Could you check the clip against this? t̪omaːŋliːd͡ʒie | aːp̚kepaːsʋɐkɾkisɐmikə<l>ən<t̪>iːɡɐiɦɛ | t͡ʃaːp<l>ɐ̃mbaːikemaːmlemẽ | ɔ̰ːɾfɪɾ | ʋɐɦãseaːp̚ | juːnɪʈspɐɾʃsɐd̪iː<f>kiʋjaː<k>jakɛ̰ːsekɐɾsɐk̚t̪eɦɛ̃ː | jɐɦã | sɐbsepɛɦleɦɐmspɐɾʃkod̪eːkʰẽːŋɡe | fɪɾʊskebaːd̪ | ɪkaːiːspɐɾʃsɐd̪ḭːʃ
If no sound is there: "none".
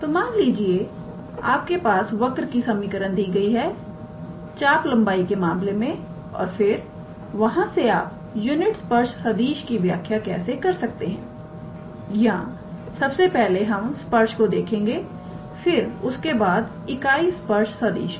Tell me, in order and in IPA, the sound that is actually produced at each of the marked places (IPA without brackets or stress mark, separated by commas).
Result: ɾ, d̪, l, ʃ, kʰ